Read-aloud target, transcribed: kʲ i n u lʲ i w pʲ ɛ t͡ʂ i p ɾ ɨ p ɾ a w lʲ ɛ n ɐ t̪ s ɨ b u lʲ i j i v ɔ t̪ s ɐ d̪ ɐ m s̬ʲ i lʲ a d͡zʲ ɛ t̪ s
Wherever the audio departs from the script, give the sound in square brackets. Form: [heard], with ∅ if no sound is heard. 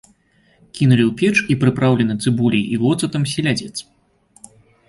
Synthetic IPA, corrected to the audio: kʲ i n u lʲ i w pʲ ɛ t͡ʂ i p ɾ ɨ p ɾ a w lʲ ɛ n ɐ t̪ s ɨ b u lʲ i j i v ɔ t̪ s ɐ [t̪] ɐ m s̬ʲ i lʲ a d͡zʲ ɛ t̪ s